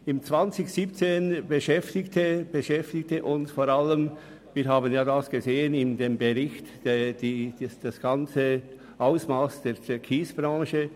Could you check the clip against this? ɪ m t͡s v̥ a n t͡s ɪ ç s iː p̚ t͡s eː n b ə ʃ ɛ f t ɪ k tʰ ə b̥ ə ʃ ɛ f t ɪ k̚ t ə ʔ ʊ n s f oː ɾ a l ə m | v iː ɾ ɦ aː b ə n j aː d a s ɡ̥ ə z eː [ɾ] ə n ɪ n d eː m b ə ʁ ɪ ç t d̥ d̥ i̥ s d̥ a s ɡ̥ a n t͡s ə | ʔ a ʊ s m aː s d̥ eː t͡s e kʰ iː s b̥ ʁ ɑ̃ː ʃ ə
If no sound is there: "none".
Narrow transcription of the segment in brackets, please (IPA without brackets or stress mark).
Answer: none